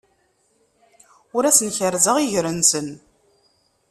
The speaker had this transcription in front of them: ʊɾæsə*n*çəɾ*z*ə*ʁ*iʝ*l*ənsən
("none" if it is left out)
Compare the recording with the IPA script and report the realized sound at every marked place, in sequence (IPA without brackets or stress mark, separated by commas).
n, z, ʁ, ɾ